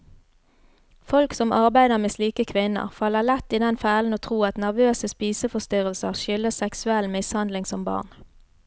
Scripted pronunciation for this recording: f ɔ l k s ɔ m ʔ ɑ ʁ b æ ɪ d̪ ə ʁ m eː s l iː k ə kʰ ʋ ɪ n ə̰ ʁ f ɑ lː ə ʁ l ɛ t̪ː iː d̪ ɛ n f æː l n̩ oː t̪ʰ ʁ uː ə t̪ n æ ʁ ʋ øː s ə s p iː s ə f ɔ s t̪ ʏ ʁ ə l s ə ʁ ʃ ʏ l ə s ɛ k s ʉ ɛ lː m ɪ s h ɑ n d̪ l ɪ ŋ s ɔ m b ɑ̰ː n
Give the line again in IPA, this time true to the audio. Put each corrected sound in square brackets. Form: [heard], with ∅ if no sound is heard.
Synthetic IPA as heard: f ɔ l k s ɔ m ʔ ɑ ʁ b æ ɪ d̪ ə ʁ m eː s l iː k ə kʰ ʋ ɪ n ə̰ ʁ f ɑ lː ə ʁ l ɛ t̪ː iː d̪ ɛ n f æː l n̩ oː t̪ʰ ʁ uː [ɑ] t̪ n æ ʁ ʋ øː s ə s p iː s ə f ɔ s t̪ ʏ ʁ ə l s ə ʁ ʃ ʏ l ə s ɛ k s ʉ ɛ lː m ɪ s h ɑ n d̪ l ɪ ŋ s ɔ m b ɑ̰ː n